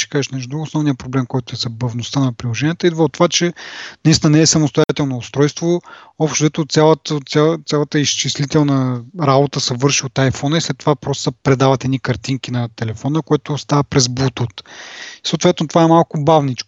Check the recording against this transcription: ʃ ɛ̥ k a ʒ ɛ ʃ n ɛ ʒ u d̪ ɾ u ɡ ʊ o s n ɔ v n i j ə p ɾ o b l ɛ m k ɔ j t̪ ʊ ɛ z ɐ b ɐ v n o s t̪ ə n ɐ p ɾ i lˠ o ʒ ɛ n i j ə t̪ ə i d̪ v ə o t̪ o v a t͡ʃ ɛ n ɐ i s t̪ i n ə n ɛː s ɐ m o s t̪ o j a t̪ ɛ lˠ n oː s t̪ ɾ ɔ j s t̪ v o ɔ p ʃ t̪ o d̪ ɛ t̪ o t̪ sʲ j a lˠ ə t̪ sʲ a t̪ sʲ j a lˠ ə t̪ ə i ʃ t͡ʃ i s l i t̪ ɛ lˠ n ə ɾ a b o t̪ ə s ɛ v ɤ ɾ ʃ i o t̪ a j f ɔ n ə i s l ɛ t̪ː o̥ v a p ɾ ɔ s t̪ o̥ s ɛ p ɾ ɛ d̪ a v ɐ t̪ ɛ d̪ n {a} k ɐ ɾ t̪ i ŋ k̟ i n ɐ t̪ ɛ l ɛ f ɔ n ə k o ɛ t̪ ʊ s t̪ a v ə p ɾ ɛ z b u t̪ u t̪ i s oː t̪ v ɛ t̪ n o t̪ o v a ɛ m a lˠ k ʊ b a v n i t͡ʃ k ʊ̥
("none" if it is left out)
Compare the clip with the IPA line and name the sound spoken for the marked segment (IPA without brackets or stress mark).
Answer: i